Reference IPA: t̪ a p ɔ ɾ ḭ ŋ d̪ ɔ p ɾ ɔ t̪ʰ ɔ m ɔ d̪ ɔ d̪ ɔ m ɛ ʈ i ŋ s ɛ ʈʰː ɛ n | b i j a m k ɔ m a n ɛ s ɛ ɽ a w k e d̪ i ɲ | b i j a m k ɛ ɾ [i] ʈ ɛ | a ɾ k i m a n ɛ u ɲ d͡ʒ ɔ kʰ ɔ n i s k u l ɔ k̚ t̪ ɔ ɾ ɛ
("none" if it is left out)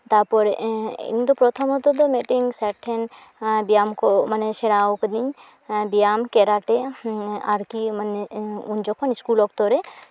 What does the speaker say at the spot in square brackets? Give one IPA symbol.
a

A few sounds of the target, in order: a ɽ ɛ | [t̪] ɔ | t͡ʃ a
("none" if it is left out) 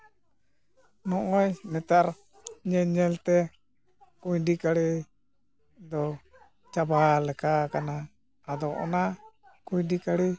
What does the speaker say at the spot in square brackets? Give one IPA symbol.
d̪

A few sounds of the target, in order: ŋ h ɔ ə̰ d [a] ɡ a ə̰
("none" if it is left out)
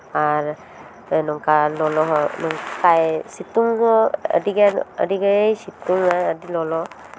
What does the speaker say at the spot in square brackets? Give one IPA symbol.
i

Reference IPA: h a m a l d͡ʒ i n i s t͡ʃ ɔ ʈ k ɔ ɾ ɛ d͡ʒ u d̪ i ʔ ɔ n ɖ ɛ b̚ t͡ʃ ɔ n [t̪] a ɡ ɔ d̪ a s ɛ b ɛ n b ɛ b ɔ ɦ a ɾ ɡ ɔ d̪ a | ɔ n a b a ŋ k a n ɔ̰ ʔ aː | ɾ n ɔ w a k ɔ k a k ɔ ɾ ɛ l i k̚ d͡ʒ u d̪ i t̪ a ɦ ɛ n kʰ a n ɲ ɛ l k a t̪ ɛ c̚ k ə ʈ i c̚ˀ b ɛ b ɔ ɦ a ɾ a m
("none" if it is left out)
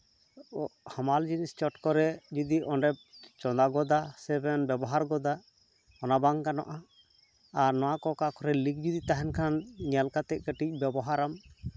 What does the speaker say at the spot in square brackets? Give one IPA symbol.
d̪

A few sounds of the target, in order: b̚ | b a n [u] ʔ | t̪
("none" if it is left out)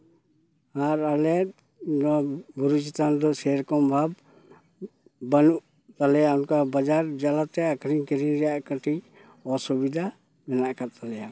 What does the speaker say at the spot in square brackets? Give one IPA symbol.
u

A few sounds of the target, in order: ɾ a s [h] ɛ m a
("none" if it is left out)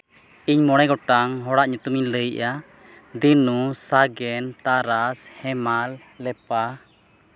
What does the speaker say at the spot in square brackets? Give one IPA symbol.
h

